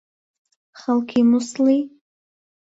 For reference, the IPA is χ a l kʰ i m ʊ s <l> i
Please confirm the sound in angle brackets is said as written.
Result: yes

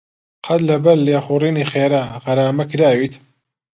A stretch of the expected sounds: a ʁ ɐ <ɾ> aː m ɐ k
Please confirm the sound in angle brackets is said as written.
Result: yes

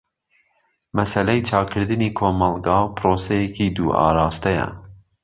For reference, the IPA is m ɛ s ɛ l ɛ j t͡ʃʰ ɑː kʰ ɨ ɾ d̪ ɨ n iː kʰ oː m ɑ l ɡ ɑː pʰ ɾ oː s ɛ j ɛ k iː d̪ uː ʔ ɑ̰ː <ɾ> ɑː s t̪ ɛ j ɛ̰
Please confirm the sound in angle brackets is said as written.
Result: yes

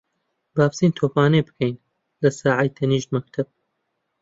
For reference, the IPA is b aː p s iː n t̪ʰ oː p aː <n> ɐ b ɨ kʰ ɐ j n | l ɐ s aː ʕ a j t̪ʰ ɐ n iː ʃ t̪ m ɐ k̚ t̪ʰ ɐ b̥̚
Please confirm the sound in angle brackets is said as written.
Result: yes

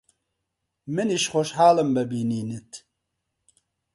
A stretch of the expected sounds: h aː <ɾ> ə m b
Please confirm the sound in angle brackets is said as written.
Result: no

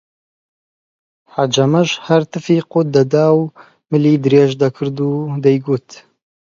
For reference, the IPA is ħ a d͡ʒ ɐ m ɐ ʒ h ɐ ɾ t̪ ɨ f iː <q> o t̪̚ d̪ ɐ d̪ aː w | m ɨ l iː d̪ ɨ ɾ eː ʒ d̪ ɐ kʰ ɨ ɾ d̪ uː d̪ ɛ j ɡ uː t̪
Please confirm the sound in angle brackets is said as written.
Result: yes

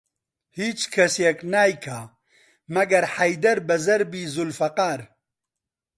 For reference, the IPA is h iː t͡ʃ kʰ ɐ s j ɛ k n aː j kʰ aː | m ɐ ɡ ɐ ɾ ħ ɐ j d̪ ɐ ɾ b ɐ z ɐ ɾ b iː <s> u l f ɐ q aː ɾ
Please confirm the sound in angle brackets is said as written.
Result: no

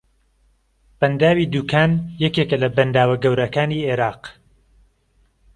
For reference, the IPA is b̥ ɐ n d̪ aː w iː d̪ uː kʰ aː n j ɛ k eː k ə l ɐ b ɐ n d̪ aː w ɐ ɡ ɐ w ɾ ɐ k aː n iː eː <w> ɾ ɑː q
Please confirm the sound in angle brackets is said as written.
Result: no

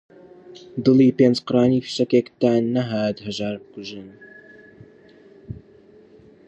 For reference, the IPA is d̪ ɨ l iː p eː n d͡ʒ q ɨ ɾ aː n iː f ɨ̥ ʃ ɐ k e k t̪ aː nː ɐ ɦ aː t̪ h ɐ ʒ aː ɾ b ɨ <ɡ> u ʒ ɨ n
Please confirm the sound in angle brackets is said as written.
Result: no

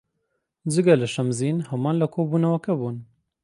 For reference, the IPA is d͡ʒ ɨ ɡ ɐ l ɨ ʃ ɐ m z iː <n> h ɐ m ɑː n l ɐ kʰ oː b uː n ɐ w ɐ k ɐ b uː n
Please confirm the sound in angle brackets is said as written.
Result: yes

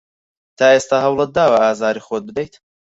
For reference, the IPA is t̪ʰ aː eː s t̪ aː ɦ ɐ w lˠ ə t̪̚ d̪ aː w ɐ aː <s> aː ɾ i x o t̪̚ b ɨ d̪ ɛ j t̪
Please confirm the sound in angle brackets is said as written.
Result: no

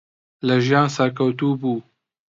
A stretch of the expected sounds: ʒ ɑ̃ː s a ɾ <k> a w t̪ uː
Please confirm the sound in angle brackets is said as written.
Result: yes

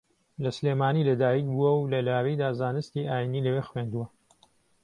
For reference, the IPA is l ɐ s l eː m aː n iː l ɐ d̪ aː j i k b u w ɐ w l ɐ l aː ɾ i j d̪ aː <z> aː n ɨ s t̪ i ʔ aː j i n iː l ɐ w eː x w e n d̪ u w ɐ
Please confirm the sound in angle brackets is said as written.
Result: yes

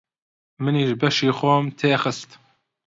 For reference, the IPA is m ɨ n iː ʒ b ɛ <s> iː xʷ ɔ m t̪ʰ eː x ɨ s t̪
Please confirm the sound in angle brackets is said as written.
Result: no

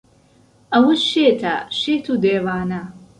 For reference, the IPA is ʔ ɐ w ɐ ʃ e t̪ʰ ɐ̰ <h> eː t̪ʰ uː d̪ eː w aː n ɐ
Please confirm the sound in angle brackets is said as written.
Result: no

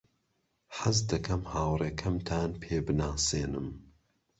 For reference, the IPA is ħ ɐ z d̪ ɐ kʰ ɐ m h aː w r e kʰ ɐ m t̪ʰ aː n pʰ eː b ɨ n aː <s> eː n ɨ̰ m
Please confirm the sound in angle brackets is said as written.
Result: yes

